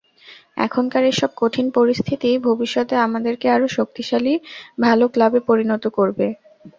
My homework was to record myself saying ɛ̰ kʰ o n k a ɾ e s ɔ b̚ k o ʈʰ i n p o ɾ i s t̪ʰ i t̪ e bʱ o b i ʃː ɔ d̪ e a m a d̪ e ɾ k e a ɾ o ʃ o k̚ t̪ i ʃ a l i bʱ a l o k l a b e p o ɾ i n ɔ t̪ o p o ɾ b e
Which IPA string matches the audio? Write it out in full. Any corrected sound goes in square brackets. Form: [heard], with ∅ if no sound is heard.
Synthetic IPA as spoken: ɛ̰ kʰ o n k a ɾ e [ʃ] ɔ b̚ k o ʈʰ i n p o ɾ i s t̪ʰ i t̪ [i] bʱ o b i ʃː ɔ [t̪] e a m a d̪ e ɾ k e a ɾ o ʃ o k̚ t̪ i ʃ a l i bʱ a l o k l a b e p o ɾ i n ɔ t̪ o [k] o ɾ b e